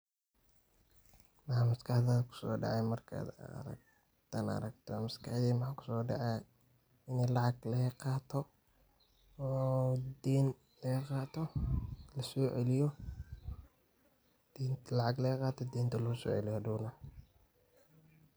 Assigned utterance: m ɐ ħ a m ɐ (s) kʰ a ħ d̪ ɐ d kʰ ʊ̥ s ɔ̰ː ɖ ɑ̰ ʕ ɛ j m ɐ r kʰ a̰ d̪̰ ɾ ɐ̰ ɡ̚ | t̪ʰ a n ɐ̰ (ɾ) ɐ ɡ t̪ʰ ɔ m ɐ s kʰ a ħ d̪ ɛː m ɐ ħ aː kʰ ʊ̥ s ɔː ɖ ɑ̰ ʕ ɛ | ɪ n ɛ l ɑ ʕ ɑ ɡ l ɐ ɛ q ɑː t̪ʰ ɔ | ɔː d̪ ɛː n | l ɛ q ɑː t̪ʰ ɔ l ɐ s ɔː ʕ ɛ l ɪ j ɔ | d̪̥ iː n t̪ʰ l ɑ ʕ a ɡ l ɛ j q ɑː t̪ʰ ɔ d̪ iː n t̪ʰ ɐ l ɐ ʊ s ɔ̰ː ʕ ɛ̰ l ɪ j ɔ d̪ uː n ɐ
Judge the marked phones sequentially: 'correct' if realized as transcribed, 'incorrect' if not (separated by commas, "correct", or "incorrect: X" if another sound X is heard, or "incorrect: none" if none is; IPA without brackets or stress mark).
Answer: correct, correct